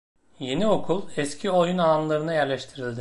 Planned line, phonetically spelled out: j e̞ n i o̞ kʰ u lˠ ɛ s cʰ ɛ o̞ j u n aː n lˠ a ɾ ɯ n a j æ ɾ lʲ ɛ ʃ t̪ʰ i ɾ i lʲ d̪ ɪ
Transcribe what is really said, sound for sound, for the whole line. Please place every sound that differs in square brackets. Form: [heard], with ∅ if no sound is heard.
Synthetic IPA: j e̞ n i o̞ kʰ u lˠ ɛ s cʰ [i] o̞ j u n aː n lˠ a ɾ ɯ n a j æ ɾ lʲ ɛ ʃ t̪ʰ i ɾ i lʲ d̪ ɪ